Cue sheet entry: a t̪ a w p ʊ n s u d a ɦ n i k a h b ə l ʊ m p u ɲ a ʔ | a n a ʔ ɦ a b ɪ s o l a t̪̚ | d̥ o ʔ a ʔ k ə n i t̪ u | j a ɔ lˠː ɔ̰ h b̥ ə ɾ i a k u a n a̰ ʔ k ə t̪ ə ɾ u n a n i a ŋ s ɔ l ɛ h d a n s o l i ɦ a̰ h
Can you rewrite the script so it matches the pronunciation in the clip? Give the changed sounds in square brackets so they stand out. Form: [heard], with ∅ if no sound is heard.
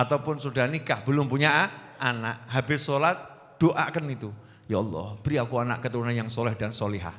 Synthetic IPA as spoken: a t̪ a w p ʊ n s u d a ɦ n i k a h b ə l ʊ m p u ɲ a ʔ | a n a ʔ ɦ a b ɪ s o l a t̪̚ | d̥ o ʔ a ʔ k ə n i t̪ u | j a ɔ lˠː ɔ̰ h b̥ ə ɾ i a k u a n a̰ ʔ k ə t̪ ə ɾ u n a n [j] a ŋ s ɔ l ɛ h d a n s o l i ɦ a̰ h